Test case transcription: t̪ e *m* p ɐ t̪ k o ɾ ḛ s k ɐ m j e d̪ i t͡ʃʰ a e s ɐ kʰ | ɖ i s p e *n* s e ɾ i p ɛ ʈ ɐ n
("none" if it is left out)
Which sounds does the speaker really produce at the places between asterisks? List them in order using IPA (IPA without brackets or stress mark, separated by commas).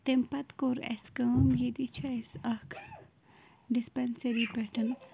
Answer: m, n